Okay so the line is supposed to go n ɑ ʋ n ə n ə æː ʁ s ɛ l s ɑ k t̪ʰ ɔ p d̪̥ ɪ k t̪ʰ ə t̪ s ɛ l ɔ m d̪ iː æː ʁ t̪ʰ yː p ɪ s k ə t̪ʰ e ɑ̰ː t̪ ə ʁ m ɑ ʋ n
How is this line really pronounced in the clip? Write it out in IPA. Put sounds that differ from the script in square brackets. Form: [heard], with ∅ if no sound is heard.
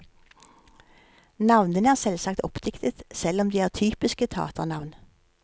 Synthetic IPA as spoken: n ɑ ʋ n ə n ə æː ʁ s ɛ l s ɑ k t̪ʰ ɔ p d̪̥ ɪ k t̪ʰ ə t̪ s ɛ l ɔ m d̪ iː æː ʁ t̪ʰ yː p ɪ s k ə t̪ʰ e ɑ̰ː t̪ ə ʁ [n] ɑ ʋ n